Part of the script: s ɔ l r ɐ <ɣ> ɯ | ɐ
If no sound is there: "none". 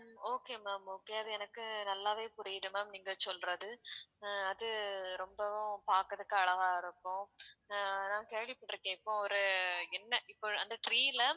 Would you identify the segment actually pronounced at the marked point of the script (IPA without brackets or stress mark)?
ð